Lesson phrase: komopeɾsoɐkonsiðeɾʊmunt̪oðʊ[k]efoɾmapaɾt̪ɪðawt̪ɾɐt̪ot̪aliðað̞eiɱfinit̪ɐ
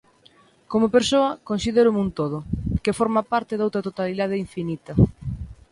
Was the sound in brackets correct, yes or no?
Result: yes